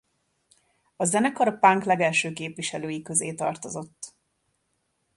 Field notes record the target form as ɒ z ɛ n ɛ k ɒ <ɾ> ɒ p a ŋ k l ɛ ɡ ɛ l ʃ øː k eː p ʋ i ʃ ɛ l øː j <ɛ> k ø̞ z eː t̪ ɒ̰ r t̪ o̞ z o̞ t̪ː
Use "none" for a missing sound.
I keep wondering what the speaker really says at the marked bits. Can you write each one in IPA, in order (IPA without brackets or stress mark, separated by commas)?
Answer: ɾ, i